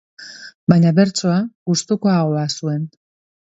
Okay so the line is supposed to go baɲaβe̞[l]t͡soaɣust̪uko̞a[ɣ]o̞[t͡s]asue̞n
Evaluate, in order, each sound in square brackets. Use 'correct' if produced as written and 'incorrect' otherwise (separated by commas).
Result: incorrect, correct, incorrect